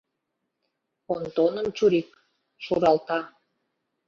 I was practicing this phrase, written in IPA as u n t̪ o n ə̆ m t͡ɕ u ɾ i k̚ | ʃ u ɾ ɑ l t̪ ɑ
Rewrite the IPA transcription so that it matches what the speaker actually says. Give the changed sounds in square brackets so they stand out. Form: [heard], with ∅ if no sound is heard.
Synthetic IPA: [o] n t̪ o n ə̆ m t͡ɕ u ɾ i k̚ | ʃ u ɾ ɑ l t̪ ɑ